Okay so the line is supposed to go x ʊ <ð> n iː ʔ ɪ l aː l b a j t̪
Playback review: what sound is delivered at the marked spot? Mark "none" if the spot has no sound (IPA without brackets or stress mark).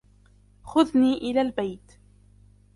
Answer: ð